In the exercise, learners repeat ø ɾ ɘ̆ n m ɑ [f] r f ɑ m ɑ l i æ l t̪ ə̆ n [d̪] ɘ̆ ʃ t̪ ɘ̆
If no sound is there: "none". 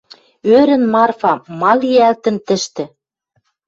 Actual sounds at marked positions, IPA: none, t̪

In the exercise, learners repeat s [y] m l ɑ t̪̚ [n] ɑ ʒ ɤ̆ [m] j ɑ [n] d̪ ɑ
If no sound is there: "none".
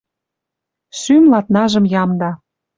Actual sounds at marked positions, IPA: y, n, m, m

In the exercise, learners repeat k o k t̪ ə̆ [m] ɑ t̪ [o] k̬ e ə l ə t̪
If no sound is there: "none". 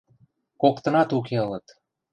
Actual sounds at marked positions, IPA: n, u

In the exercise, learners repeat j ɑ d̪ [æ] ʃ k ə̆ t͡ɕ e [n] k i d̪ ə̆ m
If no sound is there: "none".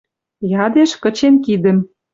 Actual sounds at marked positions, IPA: e, n

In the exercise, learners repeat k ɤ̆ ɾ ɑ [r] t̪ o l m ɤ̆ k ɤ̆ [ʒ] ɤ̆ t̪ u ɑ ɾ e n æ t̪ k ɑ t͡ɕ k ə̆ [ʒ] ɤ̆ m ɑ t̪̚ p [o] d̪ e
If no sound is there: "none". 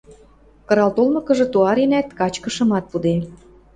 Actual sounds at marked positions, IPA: l, ʒ, ʃ, u

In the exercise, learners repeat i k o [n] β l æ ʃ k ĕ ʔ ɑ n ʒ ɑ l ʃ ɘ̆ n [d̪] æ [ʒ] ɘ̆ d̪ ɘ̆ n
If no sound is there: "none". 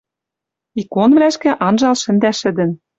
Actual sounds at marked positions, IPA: n, d̪, ʃ

